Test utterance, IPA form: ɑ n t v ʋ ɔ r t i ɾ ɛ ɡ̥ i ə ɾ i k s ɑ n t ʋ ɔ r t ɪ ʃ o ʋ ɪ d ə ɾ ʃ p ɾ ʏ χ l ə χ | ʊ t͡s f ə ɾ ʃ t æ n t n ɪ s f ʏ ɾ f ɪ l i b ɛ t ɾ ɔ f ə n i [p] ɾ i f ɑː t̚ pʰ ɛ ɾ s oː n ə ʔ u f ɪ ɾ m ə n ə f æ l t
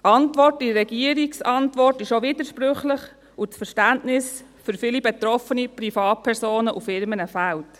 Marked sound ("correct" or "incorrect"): correct